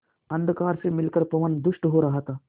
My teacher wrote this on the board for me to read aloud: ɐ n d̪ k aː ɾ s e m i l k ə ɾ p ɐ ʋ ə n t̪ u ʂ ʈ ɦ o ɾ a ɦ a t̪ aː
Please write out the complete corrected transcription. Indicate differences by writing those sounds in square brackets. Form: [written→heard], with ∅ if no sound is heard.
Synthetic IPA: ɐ n d̪ k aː ɾ s e m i l k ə ɾ p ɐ ʋ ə n [t̪→d̪] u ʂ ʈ ɦ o ɾ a ɦ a t̪ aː